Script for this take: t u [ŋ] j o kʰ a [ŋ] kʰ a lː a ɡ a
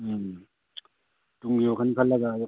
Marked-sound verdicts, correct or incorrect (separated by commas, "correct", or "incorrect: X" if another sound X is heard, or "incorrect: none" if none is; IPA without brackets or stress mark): correct, incorrect: n